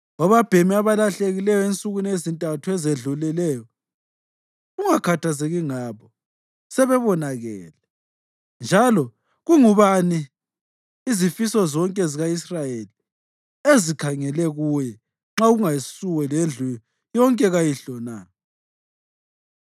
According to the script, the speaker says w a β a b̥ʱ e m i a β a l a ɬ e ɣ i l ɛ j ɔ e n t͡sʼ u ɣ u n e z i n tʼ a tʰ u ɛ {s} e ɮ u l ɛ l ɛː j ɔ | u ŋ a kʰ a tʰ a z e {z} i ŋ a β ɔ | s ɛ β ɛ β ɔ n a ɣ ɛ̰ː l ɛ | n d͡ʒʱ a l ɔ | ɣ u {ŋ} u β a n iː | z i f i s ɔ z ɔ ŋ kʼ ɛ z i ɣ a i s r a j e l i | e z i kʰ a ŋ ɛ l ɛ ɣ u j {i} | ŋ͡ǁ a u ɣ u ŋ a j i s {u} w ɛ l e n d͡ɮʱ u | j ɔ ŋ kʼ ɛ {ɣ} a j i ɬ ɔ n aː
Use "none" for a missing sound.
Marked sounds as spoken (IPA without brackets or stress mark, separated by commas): z, ɣ, ŋ, ɛ, u, ɣ